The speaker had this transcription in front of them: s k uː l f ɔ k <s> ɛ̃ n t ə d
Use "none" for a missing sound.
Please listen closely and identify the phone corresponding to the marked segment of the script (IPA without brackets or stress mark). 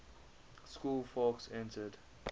s